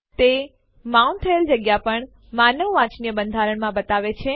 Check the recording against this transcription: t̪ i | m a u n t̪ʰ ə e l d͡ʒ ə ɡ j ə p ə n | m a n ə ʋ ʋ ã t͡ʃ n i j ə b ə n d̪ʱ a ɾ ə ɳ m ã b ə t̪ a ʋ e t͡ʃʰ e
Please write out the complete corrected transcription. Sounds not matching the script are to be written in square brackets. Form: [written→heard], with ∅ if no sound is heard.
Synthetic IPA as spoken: t̪ [i→e] | m a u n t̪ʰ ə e l d͡ʒ ə ɡ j [ə→a] p ə [n→ɳ] | m a n ə ʋ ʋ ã t͡ʃ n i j ə b ə n d̪ʱ a ɾ ə ɳ m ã b ə t̪ a ʋ e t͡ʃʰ e

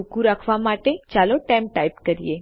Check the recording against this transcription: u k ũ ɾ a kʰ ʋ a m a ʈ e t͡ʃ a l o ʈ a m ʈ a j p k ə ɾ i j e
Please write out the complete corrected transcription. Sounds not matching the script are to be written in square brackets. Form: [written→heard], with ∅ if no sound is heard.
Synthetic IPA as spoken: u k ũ ɾ a kʰ ʋ a m a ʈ e t͡ʃ a l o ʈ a m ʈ a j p k ə ɾ i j e

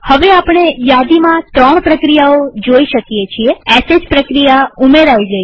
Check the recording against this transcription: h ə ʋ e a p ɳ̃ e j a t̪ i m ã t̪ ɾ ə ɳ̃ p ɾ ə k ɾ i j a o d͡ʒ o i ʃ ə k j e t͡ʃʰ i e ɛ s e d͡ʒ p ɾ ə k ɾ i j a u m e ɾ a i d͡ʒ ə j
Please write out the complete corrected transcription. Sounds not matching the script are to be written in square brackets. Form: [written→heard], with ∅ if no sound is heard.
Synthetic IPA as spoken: h ə ʋ e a p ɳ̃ e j a [t̪→d̪] i m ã t̪ ɾ ə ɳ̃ p ɾ ə k ɾ i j a o d͡ʒ o i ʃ ə k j e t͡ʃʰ i e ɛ s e d͡ʒ p ɾ ə k ɾ i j a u m e ɾ a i d͡ʒ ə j

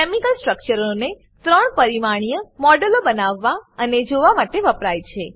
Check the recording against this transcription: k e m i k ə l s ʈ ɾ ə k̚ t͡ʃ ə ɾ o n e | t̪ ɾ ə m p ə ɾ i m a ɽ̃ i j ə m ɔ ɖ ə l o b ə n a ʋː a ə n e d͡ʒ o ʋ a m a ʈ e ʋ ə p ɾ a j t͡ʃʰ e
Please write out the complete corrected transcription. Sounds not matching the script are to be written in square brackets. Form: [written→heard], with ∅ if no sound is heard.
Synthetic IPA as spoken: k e m i k ə l s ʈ ɾ ə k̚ t͡ʃ ə ɾ o n e | t̪ ɾ ə [m→ɳ] p ə ɾ i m a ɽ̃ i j ə m ɔ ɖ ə l o b ə n a ʋː a ə n e d͡ʒ o ʋ a m a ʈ e ʋ ə p ɾ a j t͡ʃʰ e

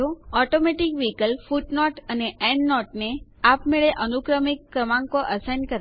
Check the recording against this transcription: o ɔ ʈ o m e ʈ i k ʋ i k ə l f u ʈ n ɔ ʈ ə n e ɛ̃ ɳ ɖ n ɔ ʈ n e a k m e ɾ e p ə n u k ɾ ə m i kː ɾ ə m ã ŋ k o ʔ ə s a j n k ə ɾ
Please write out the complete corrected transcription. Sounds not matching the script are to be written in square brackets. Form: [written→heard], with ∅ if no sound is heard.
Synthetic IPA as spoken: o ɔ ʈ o m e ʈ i k ʋ i k ə l f u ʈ n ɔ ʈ ə n e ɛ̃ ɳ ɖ n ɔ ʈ n e a [k→p] m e [ɾ→ɭ] e [p→ʔ] ə n u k ɾ ə m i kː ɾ ə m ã ŋ k o ʔ ə s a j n k ə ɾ

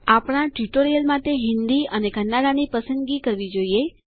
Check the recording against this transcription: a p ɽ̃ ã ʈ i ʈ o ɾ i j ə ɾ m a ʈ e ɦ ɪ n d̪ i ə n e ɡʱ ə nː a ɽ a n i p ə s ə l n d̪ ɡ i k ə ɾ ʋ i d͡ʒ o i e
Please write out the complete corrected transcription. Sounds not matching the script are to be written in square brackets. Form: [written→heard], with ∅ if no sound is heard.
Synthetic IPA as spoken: a p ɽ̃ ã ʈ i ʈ o ɾ i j ə [ɾ→l] m a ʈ e ɦ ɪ n d̪ i ə n e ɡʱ ə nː a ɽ a n i p ə s ə [l→∅] n d̪ ɡ i k ə ɾ ʋ i d͡ʒ o i e

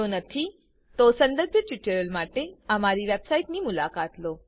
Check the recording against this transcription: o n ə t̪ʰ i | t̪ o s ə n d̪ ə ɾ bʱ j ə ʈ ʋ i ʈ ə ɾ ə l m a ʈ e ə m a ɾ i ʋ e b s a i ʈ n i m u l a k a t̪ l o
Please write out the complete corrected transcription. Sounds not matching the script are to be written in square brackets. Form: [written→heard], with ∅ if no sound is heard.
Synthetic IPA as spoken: o n ə t̪ʰ i | t̪ o s ə n d̪ ə ɾ bʱ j ə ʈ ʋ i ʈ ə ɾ ə l m a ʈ e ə m a ɾ i ʋ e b s a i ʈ n i m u l a k a t̪ l o

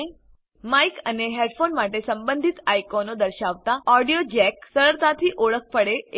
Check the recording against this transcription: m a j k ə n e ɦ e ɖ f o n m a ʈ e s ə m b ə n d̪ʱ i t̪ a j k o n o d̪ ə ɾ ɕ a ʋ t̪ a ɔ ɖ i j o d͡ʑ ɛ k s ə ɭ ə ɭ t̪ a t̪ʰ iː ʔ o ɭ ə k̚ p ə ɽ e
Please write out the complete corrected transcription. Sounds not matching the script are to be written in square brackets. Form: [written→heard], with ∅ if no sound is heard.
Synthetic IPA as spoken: m a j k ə n e ɦ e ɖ f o n m a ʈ e s ə m b ə n d̪ʱ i t̪ a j k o n o d̪ ə ɾ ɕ a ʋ t̪ a ɔ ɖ i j o d͡ʑ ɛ k s ə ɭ ə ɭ t̪ a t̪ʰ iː ʔ o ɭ ə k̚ p ə ɽ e

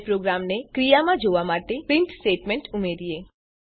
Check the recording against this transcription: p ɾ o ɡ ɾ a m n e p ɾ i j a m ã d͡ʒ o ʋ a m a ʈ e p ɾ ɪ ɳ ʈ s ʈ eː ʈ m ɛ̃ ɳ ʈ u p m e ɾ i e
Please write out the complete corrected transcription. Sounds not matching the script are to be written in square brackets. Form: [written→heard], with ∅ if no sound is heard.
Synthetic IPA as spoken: p ɾ o ɡ ɾ a m n e [p→k] ɾ i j a m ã d͡ʒ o ʋ a m a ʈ e p ɾ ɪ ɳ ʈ s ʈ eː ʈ m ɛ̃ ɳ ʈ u [p→∅] m e ɾ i e

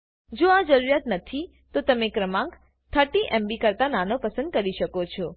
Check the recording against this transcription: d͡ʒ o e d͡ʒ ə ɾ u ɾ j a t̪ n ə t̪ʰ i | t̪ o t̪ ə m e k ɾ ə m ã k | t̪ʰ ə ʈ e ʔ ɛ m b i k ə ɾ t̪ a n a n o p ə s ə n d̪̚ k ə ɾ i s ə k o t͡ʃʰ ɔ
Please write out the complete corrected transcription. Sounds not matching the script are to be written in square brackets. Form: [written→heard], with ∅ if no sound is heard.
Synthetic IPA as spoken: d͡ʒ o [e→a] d͡ʒ ə ɾ u ɾ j a t̪ n ə t̪ʰ i | t̪ o t̪ ə m e k ɾ ə m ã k | t̪ʰ ə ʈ [e→i] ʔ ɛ m b i k ə ɾ t̪ a n a n o p ə s ə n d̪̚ k ə ɾ i [s→ʃ] ə k o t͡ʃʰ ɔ

